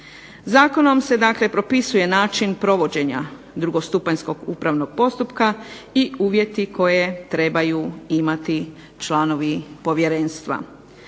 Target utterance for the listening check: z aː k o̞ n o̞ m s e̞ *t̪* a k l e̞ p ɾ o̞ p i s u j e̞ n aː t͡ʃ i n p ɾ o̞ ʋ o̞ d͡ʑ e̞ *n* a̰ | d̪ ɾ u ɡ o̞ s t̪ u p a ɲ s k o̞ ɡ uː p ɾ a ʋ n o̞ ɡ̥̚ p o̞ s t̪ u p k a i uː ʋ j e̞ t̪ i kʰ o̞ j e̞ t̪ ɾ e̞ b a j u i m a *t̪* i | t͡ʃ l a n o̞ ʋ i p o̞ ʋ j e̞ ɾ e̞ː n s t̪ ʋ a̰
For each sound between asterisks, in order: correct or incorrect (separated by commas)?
incorrect, incorrect, correct